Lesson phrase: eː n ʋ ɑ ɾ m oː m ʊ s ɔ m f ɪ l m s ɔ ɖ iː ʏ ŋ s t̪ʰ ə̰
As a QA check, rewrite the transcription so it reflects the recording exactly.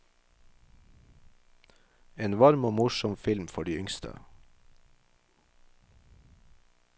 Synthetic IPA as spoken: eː n ʋ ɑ ɾ m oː m ʊ ʃ ɔ m f ɪ l m f ɔ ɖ iː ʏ ŋ s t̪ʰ ə̰